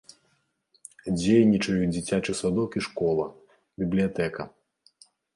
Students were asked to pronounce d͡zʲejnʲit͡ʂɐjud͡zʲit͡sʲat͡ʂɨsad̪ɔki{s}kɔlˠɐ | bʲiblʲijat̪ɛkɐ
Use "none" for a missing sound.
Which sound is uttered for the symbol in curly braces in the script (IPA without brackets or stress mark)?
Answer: ʂ